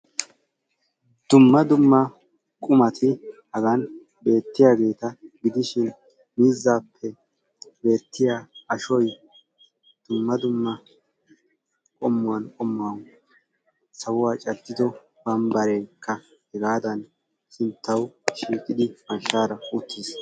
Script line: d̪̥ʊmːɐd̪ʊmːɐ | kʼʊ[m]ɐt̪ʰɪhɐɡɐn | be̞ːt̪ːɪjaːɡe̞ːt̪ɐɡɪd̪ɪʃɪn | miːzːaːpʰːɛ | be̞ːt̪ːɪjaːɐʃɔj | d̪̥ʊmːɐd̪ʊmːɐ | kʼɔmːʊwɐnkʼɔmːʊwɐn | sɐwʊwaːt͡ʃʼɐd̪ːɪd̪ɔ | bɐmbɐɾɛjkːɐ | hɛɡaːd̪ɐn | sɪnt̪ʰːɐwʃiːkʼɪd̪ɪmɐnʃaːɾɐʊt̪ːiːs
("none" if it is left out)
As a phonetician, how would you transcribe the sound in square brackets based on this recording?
m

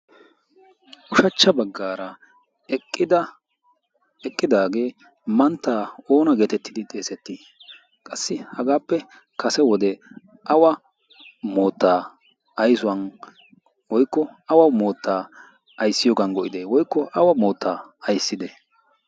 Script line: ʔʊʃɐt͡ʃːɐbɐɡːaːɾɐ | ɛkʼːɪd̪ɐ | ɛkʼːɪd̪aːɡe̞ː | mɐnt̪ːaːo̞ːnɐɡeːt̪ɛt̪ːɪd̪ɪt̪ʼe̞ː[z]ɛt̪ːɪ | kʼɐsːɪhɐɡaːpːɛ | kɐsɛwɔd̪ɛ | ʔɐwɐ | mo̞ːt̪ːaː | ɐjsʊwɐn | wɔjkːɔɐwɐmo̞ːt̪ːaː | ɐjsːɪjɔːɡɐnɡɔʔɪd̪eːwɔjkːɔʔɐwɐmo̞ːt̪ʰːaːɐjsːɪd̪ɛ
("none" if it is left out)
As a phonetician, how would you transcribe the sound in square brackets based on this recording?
s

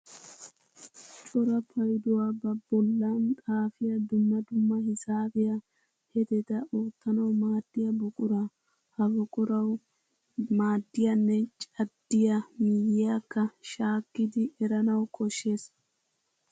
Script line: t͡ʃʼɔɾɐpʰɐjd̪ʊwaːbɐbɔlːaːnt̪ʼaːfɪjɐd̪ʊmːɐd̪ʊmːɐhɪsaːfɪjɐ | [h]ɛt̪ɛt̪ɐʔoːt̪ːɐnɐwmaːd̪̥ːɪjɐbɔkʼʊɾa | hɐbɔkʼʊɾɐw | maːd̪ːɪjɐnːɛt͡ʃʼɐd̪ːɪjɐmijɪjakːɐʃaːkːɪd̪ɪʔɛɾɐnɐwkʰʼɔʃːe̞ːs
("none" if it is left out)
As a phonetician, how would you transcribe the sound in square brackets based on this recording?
h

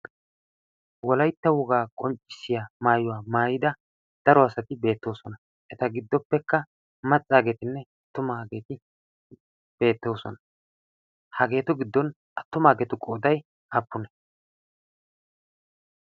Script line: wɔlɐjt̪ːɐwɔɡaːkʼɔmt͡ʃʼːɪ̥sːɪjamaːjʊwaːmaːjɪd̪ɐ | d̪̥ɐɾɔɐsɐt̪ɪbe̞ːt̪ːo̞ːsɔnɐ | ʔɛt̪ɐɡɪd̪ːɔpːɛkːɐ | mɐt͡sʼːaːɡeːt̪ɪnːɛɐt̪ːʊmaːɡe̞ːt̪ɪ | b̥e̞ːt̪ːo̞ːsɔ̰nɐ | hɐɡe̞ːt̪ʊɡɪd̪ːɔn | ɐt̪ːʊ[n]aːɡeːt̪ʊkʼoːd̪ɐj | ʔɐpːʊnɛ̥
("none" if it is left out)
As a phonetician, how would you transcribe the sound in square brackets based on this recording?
m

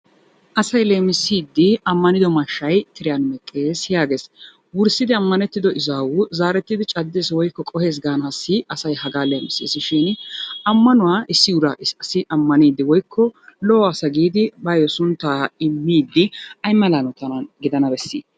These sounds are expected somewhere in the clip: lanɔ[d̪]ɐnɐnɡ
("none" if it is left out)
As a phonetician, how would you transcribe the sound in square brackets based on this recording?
t̪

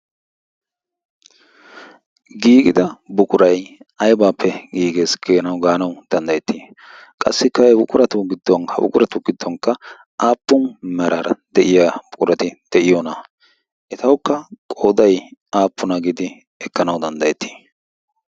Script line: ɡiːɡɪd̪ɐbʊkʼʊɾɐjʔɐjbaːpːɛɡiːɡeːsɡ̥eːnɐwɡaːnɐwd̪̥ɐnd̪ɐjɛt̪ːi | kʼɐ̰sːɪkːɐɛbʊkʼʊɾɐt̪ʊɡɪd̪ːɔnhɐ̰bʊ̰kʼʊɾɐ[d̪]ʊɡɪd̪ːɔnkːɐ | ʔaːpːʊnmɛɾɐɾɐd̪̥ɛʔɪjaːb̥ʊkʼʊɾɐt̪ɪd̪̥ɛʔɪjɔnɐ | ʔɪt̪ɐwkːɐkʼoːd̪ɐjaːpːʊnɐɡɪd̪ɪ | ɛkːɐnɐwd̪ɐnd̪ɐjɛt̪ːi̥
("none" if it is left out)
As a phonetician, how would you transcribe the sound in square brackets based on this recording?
t̪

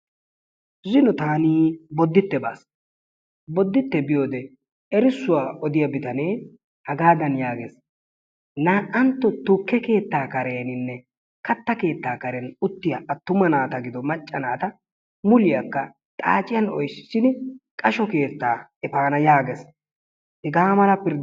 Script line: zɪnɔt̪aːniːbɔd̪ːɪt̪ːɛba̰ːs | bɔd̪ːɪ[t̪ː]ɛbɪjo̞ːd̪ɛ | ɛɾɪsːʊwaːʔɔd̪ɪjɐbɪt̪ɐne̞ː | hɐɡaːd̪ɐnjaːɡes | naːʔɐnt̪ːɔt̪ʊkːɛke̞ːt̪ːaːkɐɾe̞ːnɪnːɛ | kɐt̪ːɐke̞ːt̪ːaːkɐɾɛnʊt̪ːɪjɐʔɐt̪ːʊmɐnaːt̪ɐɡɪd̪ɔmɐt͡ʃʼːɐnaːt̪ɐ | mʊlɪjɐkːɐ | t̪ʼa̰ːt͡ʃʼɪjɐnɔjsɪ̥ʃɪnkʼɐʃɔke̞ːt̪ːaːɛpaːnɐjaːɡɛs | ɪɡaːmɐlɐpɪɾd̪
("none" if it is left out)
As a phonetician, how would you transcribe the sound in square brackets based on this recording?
t̪ː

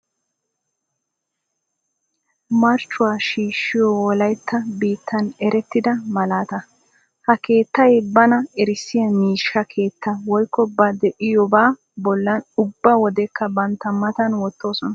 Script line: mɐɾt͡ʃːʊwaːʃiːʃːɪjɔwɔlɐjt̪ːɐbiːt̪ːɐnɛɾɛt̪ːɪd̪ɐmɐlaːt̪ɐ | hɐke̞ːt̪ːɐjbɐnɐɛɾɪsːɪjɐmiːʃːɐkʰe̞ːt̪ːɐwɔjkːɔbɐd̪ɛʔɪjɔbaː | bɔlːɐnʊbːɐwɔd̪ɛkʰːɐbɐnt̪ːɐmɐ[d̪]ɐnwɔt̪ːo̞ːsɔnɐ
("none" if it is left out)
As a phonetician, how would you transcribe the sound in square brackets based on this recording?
t̪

